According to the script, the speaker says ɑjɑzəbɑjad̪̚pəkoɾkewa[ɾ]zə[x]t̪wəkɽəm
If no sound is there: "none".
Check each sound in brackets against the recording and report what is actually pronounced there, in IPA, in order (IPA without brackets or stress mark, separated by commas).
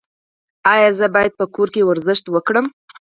ɾ, ʃ